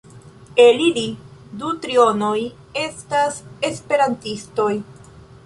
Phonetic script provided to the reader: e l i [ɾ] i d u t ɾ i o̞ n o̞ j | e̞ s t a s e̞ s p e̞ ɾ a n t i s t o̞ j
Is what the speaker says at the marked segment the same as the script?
no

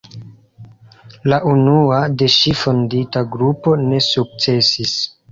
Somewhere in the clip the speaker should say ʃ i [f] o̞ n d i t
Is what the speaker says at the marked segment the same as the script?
yes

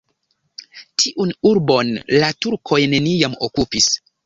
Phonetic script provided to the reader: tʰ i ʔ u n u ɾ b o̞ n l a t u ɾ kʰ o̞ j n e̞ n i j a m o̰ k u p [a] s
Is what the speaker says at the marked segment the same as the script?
no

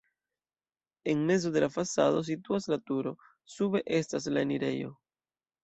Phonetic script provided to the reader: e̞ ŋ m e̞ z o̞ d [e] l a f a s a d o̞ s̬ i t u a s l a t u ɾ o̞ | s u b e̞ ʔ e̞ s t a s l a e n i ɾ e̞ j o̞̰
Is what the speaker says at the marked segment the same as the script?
yes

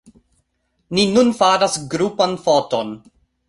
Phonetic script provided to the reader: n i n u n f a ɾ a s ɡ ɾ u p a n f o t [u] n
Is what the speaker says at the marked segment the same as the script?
no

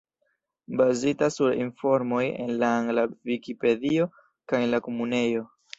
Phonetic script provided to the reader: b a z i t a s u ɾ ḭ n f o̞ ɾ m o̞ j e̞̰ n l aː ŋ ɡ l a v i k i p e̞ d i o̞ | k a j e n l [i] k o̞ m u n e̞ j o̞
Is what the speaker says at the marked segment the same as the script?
no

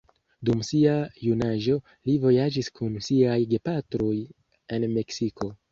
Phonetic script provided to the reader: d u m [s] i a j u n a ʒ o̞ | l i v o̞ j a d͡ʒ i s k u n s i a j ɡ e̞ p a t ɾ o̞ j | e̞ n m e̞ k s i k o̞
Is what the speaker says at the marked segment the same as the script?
yes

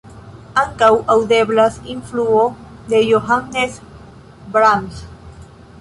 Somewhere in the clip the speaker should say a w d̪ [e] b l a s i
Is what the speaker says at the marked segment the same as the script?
yes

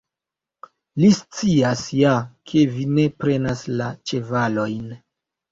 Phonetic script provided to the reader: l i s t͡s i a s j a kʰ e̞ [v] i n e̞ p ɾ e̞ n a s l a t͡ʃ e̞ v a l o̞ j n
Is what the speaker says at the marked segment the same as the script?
yes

